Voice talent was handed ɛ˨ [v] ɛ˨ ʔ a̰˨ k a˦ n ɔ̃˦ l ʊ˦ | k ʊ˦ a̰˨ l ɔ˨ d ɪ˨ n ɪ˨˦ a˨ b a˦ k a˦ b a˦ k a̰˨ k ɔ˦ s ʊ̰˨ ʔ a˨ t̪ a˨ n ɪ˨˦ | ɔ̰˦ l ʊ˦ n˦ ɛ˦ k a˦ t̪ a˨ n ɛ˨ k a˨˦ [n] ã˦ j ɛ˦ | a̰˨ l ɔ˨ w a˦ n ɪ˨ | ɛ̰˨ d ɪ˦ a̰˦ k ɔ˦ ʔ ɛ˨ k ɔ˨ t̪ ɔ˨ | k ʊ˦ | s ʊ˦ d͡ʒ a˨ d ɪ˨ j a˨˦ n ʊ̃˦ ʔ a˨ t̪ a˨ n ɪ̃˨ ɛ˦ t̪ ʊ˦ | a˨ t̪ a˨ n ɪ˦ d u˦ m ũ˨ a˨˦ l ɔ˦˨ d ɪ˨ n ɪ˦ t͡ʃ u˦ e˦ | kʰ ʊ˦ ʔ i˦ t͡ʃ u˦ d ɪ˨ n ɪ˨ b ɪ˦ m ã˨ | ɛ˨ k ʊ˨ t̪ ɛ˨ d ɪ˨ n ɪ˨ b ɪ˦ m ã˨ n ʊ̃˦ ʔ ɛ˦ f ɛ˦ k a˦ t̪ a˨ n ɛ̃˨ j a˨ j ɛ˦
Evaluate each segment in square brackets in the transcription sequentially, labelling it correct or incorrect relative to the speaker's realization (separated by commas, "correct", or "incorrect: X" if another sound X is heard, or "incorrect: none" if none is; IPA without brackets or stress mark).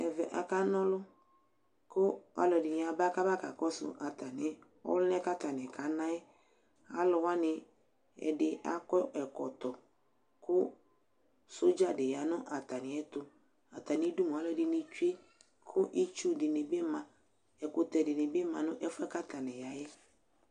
correct, correct